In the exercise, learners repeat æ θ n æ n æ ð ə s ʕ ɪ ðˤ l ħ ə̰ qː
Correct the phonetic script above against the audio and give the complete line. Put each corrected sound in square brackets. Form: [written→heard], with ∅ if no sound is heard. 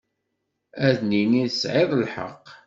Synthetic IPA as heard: æ [θ→ð] n [æ→i] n [æ→i] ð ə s ʕ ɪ ðˤ l ħ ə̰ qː